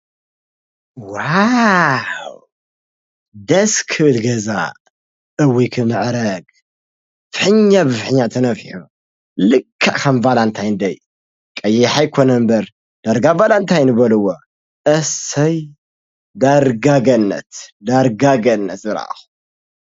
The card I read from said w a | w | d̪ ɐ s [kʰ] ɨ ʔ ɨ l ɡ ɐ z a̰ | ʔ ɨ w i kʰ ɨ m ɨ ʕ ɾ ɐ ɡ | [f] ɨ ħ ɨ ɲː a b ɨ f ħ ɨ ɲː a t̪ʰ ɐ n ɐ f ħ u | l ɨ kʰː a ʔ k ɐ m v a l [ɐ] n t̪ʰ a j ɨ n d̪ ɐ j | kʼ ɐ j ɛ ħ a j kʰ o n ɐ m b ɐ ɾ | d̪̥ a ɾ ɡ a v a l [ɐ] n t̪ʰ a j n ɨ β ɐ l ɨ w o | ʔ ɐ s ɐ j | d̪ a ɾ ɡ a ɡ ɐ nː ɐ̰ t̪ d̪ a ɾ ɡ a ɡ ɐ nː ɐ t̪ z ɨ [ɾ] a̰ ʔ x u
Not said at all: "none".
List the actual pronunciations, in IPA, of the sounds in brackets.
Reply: kʰ, f, a, a, ɾ

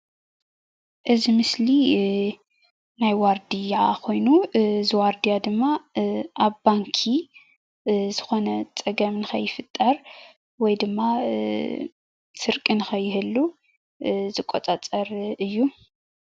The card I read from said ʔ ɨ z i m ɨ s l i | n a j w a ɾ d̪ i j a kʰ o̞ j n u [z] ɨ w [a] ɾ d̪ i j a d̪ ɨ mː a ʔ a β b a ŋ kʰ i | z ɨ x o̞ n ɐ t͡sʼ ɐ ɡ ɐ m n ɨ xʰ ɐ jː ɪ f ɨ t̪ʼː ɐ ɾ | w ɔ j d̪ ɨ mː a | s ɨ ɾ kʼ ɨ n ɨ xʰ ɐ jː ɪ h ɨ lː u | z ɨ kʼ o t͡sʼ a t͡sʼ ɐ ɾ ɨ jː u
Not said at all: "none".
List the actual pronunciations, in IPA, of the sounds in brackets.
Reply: z, a

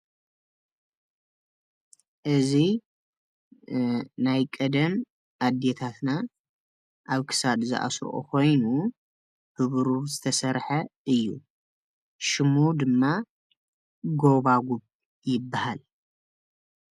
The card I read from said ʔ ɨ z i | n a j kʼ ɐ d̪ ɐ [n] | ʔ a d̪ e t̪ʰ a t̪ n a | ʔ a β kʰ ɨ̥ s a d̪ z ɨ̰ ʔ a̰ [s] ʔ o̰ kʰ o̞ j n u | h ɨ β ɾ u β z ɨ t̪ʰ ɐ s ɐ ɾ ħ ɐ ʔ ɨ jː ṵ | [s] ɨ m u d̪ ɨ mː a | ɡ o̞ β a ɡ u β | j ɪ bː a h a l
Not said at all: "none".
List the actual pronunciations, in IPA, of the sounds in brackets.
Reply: m, s, ʃ

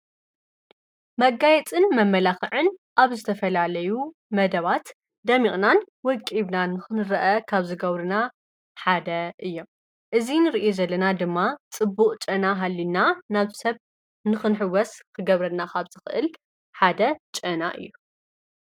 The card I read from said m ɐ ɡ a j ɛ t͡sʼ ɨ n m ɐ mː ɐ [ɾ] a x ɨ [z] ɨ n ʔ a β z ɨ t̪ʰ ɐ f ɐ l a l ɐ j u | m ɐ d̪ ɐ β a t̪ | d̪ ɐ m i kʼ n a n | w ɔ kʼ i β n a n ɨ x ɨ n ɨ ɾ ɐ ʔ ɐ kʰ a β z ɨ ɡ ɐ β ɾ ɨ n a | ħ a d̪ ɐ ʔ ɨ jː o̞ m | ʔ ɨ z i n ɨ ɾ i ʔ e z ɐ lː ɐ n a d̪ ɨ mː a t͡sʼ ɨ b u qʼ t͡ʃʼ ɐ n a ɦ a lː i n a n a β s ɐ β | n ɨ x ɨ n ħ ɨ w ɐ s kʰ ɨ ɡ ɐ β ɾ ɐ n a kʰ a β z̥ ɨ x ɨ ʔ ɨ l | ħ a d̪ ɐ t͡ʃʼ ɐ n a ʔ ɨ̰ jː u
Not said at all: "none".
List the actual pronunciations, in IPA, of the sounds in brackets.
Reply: l, ʕ

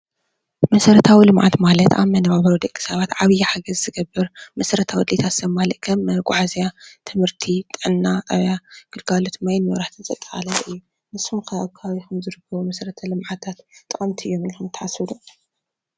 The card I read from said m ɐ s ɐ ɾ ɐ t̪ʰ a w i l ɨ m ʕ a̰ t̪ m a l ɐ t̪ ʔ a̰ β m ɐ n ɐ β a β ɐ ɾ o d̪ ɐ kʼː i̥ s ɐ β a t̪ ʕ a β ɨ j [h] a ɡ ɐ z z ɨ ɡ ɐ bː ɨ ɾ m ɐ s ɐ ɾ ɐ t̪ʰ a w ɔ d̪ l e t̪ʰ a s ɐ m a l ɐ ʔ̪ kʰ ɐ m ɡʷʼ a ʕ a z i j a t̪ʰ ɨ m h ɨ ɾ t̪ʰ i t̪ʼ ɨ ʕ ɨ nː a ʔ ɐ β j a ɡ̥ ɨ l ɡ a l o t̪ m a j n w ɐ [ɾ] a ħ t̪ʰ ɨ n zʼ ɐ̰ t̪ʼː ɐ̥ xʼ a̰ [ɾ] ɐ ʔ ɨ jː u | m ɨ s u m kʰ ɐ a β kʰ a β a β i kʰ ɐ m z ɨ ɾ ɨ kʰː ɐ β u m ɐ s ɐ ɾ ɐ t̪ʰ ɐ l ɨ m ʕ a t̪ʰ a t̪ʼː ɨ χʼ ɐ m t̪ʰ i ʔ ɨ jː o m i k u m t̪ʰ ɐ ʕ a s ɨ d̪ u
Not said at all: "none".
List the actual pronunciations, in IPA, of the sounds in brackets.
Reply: ħ, ɾ, l

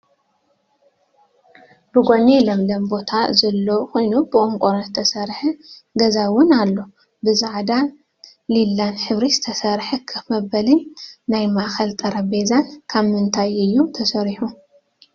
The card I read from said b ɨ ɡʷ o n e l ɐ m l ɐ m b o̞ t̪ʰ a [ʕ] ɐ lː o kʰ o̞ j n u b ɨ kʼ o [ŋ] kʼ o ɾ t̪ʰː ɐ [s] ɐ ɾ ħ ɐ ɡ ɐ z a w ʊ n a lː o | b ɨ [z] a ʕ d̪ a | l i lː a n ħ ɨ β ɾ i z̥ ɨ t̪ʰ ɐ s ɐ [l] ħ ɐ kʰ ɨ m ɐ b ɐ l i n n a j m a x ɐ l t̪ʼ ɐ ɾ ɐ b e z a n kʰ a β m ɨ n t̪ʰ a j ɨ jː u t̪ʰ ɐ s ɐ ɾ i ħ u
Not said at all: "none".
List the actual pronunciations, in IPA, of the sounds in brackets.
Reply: z, ŋ, s, z, ɾ

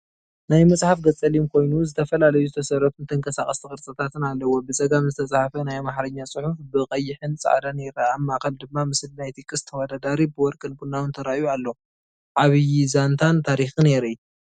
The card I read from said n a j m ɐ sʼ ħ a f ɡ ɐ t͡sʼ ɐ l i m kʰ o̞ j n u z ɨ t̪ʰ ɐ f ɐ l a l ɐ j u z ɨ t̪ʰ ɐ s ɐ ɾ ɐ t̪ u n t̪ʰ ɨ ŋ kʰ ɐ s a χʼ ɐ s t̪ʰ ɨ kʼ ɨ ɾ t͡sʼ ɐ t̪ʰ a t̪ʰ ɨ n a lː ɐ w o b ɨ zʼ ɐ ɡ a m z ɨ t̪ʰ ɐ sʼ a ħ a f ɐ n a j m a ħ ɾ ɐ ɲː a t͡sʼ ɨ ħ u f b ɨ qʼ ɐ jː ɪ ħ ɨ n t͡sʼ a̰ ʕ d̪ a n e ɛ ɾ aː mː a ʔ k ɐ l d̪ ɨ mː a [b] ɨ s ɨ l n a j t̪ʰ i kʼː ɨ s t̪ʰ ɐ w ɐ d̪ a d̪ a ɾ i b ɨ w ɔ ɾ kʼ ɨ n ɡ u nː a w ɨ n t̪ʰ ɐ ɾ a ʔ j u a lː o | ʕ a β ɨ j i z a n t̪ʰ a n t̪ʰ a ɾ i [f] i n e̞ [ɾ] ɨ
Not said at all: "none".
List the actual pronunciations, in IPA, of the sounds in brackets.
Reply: m, x, ɾ

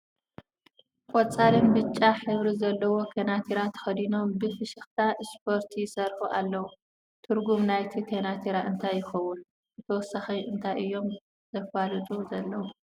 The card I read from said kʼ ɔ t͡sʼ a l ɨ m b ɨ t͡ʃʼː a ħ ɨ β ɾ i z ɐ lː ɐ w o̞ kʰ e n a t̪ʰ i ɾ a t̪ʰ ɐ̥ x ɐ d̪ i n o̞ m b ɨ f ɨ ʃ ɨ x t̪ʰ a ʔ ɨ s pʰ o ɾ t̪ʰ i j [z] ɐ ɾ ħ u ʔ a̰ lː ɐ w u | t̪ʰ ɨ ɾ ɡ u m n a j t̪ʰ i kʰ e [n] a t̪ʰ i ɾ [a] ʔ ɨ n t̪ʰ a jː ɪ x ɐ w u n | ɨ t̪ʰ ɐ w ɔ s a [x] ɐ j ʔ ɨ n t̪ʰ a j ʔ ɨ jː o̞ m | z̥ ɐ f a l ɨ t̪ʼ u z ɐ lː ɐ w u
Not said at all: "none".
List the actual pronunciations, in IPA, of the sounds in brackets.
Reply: s, n, a, x

